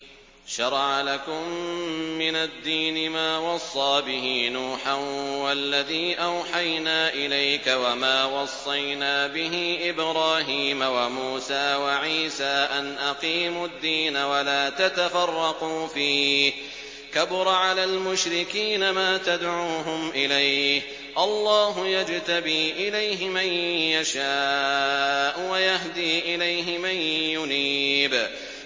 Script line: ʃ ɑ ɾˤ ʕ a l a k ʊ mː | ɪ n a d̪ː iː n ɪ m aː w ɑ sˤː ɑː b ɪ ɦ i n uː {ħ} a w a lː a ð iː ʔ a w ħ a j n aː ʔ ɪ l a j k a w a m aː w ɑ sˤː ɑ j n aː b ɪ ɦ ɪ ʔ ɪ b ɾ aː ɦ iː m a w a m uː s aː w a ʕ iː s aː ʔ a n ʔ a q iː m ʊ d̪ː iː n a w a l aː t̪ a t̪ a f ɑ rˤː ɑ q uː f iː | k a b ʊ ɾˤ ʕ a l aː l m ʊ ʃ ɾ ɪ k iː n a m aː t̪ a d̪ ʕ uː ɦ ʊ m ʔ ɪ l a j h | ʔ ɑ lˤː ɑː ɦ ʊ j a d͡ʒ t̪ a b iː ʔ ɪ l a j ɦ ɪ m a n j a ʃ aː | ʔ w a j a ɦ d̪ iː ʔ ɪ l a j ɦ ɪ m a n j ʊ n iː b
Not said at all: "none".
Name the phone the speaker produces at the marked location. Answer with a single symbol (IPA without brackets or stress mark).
ħ